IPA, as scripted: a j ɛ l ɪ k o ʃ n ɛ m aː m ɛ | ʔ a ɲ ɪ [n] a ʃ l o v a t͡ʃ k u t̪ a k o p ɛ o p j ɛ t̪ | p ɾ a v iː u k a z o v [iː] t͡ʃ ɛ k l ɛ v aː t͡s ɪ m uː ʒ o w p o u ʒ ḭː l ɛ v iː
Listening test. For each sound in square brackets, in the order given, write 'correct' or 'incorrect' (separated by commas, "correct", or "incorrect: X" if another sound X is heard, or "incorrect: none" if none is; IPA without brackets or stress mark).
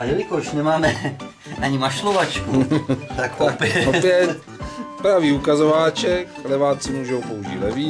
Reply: incorrect: m, incorrect: aː